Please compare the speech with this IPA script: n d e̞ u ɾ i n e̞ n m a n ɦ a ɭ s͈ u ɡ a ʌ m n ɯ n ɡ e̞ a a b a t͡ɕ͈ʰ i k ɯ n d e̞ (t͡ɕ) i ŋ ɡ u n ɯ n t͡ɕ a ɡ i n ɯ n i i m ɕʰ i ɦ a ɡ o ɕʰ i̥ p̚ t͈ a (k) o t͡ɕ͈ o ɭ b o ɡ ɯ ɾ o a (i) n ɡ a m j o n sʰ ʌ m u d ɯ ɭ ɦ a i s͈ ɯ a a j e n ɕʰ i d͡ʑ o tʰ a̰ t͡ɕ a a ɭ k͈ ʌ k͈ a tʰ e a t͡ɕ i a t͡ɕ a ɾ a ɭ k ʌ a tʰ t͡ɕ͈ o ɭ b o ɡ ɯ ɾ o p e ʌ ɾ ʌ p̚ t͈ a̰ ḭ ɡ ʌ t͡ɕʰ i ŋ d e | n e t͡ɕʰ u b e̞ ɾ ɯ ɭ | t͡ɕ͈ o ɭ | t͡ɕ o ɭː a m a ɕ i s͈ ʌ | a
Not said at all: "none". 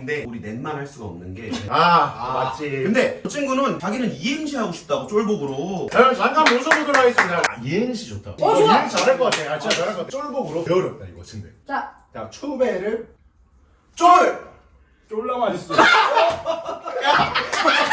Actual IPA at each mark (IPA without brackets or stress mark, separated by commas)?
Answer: t͡ɕʰ, ɡ, a